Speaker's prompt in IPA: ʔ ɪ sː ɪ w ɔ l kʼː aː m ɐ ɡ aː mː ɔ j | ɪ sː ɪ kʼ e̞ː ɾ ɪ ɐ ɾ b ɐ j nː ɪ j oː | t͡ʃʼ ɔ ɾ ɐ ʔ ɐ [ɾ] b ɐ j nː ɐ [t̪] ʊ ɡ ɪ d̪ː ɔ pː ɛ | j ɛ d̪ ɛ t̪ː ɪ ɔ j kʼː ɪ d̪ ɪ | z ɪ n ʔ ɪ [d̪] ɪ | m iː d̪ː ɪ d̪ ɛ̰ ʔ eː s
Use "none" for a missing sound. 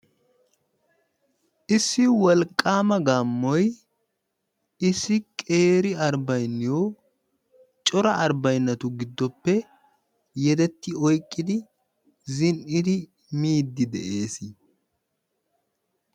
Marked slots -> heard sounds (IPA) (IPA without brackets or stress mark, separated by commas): ɾ, t̪, d̪